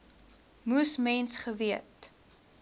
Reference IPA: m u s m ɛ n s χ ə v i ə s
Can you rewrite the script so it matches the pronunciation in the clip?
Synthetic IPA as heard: m u s m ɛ n s χ ə v i ə t